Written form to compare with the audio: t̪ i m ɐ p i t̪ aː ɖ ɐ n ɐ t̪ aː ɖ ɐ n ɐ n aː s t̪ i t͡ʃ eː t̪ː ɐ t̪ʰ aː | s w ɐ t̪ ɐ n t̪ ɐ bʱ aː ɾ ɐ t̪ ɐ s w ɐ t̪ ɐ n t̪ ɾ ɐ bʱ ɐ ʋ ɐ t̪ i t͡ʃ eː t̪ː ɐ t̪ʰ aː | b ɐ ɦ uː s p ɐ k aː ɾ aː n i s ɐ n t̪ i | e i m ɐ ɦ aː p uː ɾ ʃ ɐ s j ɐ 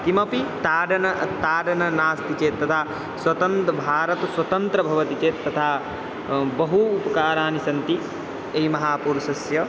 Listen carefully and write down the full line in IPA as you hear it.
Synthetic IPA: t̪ i m ɐ p i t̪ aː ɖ ɐ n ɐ t̪ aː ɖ ɐ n ɐ n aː s t̪ i t͡ʃ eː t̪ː ɐ t̪ʰ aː | s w ɐ t̪ ɐ n t̪ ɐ bʱ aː ɾ ɐ t̪ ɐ s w ɐ t̪ ɐ n t̪ ɾ ɐ bʱ ɐ ʋ ɐ t̪ i t͡ʃ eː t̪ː ɐ t̪ʰ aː | b ɐ ɦ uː p ɐ k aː ɾ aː n i s ɐ n t̪ i | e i m ɐ ɦ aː p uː ɾ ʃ ɐ s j ɐ